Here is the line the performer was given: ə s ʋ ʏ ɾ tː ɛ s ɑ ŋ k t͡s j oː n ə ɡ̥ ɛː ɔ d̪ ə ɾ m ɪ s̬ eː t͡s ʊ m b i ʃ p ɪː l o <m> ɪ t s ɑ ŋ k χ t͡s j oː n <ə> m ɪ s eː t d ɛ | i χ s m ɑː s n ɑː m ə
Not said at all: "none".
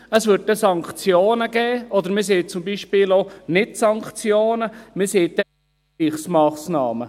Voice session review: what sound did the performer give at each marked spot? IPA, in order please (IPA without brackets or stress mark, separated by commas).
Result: n, ə